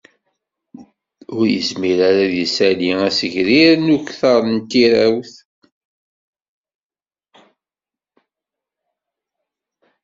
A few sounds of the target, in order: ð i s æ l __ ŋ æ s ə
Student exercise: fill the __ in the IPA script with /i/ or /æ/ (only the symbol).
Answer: i